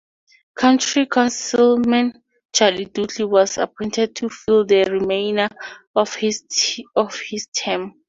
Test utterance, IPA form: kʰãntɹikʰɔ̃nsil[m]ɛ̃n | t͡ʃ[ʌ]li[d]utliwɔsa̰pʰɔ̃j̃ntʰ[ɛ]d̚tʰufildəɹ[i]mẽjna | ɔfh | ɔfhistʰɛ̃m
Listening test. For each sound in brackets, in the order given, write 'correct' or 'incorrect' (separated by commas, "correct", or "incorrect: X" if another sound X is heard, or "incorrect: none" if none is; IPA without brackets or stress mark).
correct, incorrect: a, correct, correct, correct